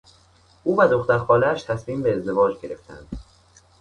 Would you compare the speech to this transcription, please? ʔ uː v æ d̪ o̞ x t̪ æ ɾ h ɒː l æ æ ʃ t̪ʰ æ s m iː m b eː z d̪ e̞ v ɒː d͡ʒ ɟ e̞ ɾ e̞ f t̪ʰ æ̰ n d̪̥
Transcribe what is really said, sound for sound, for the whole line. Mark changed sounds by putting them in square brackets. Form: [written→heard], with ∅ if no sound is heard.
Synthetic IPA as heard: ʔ uː v æ d̪ o̞ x t̪ æ ɾ [h→x] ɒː l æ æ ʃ t̪ʰ æ s m iː m b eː z d̪ e̞ v ɒː d͡ʒ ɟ e̞ ɾ e̞ f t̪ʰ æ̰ n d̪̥